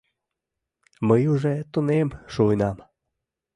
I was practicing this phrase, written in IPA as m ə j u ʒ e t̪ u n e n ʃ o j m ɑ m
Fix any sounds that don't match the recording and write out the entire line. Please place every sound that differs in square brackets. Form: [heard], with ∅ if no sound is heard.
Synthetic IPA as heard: m ə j u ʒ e t̪ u n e [m] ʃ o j [n] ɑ m